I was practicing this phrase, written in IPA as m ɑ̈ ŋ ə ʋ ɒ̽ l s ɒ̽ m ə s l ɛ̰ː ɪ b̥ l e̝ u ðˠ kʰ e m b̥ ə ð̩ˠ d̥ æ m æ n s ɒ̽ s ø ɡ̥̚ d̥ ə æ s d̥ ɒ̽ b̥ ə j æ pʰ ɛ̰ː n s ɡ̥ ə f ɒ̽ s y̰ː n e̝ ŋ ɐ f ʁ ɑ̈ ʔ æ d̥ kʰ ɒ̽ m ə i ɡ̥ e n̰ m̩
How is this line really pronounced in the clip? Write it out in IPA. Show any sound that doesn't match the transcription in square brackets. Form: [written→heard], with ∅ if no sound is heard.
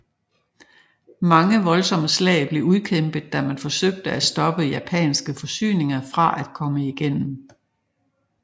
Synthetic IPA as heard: m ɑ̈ ŋ ə ʋ ɒ̽ l s ɒ̽ m ə s l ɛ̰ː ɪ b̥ l e̝ u ðˠ kʰ e m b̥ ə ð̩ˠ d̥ æ m æ n [s→f] ɒ̽ s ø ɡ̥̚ d̥ ə æ s d̥ ɒ̽ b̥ ə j æ pʰ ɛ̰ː n s ɡ̥ ə f ɒ̽ s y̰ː n e̝ ŋ ɐ f ʁ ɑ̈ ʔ æ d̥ kʰ ɒ̽ m ə i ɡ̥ e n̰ m̩